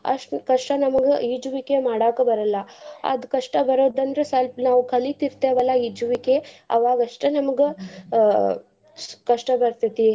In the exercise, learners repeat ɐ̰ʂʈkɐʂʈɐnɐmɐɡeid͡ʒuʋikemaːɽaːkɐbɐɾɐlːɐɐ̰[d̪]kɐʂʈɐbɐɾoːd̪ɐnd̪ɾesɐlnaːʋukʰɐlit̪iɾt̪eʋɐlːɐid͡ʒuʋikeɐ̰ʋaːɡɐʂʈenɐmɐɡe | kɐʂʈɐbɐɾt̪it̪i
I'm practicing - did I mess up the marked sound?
no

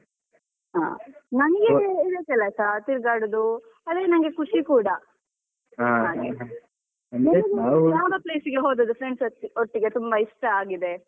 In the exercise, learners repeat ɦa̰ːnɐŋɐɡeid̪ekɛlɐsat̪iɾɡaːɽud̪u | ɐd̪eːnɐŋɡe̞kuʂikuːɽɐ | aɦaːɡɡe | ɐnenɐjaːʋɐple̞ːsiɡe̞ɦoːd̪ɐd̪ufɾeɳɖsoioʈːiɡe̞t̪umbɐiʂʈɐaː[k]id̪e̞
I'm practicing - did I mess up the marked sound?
yes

